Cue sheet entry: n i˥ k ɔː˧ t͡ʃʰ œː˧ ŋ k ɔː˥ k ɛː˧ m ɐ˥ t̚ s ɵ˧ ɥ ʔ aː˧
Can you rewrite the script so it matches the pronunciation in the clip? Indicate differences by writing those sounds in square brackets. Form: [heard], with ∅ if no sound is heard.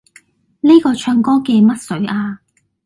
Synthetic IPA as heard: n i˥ k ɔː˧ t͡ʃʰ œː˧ ŋ k ɔː˥ k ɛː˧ m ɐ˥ t̚ s [ɵ˨˥] ɥ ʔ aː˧